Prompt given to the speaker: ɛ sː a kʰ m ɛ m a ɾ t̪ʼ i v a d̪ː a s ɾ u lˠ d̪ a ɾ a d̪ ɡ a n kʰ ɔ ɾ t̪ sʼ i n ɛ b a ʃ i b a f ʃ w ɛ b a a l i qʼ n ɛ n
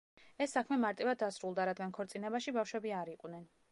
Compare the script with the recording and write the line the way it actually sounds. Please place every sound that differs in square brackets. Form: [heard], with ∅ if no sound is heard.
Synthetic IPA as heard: ɛ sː a kʰ m ɛ m a ɾ t̪ʼ i v a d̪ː a s ɾ u lˠ d̪ a ɾ a d̪ ɡ a n kʰ ɔ ɾ t̪ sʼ i n ɛ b a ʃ i b a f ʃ w ɛ b [i] a [ɾ] i qʼ n ɛ n